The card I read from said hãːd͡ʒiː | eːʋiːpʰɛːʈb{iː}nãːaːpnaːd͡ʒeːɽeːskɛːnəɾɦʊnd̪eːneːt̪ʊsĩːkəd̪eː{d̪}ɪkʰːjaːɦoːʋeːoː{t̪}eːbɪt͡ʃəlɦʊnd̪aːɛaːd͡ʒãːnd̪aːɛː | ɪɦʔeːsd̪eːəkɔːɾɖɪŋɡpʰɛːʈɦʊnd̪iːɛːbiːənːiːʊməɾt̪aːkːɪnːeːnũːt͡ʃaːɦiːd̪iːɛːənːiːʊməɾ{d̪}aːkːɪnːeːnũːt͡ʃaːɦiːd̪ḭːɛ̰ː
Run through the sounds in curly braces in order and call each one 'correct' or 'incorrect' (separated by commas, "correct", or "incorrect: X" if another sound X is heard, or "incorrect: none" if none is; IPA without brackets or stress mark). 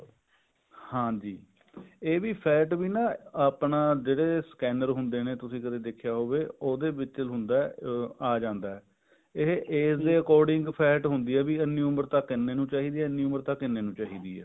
correct, correct, incorrect: d̪, incorrect: t̪